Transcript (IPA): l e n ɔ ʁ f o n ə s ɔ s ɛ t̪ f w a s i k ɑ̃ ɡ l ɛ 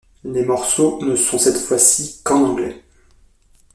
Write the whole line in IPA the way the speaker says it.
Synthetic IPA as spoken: l e m ɔ ʁ s o n ə s ɔ̃ s ɛ t̪ f w a s i k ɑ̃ ɡ l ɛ